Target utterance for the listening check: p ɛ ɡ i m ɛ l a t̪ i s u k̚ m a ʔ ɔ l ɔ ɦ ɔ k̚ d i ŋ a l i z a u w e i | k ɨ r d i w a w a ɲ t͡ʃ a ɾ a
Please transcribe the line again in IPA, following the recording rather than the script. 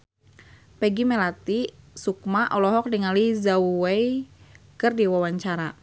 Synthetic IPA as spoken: p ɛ ɡ i m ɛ l a t̪ i s u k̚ m a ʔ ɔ l ɔ ɦ ɔ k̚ d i ŋ a l i z a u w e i | k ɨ r d i w a w a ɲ t͡ʃ a ɾ a